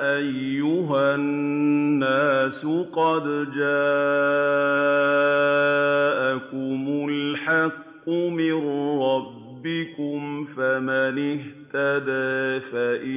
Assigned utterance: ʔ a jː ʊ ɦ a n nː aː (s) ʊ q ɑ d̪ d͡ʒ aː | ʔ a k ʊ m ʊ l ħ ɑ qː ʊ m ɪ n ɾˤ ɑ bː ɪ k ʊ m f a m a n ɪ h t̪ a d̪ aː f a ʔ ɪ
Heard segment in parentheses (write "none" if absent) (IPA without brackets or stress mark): s